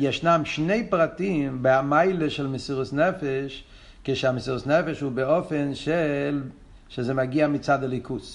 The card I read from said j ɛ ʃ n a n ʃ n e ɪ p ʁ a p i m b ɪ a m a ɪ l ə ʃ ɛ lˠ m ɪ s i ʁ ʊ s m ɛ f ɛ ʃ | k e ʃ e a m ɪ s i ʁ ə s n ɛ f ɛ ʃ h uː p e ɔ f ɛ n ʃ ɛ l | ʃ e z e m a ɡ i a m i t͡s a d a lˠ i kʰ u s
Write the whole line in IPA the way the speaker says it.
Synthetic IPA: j ɛ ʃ n a m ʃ n e ɪ p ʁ a t i m b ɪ a m a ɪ l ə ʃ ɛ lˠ m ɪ s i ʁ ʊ s n ɛ f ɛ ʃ | k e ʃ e a m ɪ s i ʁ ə s n ɛ f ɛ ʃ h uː b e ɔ f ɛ n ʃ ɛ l | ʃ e z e m a ɡ i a m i t͡s a d a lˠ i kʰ u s